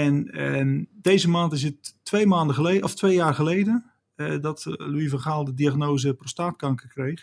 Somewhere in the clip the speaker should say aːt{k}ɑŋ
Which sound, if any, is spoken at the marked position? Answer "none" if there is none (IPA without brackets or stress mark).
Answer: k